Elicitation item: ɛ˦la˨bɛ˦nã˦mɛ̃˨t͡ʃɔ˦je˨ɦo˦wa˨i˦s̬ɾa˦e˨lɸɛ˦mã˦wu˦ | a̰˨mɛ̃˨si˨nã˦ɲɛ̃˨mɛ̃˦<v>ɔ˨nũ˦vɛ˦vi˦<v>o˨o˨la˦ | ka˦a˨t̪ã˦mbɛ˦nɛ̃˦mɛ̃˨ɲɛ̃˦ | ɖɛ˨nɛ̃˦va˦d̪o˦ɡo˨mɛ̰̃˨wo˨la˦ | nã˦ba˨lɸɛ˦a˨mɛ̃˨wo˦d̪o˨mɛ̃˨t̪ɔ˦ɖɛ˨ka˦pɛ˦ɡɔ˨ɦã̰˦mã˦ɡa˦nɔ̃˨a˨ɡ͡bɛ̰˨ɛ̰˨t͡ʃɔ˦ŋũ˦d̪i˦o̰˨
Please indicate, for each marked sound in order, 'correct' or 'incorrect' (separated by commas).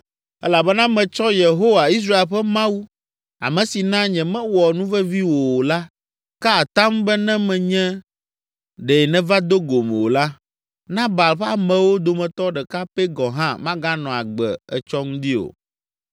incorrect, incorrect